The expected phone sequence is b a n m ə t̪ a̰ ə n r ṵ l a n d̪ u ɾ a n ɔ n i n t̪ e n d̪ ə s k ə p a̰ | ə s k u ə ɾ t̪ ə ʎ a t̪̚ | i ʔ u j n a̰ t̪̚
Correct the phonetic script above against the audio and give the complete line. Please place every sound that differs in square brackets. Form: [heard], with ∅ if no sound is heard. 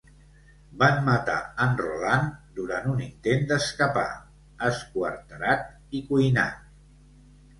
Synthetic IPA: b a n m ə t̪ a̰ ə n r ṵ l a n d̪ u ɾ a n [u] n i n t̪ e n d̪ ə s k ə p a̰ | ə s k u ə ɾ t̪ ə [ɾ] a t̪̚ | i [k] u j n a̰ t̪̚